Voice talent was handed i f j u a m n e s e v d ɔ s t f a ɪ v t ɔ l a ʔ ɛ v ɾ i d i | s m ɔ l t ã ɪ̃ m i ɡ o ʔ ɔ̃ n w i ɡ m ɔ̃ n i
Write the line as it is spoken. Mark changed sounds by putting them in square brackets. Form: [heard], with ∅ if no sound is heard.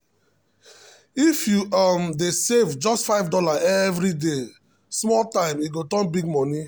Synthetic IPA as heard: i f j u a m [d] e s e v [d͡ʒ] ɔ s t f a ɪ v [d] ɔ l a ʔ ɛ v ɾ i d [e] | s m ɔ l t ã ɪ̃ m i ɡ o [t] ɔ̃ n [b] i ɡ m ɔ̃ n i